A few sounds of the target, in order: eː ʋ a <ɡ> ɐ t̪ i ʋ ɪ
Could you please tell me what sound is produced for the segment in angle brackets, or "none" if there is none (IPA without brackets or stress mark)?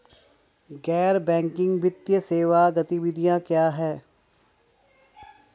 ɡ